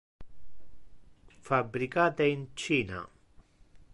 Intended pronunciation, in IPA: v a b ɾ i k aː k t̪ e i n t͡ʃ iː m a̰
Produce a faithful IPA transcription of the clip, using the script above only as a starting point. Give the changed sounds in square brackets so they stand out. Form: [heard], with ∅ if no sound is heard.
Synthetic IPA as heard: [f] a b ɾ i k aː [∅] t̪ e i n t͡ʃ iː [n] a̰

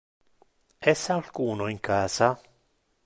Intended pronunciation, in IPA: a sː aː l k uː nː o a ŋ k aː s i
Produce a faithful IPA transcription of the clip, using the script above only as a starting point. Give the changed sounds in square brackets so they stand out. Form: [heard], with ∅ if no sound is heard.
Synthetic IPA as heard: [ɛ] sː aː l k uː [n] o [i] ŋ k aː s [a]

